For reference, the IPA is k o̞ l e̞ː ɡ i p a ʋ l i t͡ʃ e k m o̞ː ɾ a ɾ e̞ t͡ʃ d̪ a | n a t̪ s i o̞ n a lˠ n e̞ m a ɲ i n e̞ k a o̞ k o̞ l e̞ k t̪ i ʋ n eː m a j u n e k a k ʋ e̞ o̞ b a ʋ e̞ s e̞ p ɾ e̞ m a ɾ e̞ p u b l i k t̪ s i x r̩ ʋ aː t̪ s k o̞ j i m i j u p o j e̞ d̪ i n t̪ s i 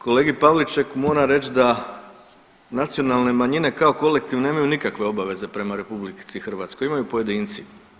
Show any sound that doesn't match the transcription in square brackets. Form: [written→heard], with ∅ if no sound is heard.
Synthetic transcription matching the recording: k o̞ l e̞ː ɡ i p a ʋ l i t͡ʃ e k m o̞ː ɾ a ɾ e̞ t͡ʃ d̪ a | n a t̪ s i o̞ n a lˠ n e̞ m a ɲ i n e̞ k a o̞ k o̞ l e̞ k t̪ i ʋ n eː m a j u n [e→i] k a k ʋ e̞ o̞ b a ʋ e̞ [s→z] e̞ p ɾ e̞ m a ɾ e̞ p u b l i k t̪ s i x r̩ ʋ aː t̪ s k o̞ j i m [i→a] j u p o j e̞ d̪ i n t̪ s i